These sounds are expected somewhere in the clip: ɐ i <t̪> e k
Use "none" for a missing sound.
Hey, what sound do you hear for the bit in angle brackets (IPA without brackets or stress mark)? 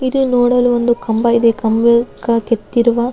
d̪